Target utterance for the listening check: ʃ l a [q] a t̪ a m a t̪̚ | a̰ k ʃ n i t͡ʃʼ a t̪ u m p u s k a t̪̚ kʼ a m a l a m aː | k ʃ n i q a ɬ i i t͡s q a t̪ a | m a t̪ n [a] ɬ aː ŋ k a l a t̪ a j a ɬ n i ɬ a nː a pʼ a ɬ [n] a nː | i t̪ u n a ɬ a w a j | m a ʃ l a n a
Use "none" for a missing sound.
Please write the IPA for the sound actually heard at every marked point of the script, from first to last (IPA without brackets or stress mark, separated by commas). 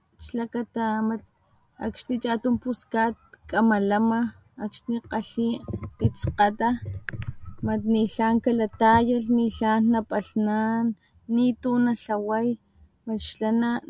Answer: k, i, n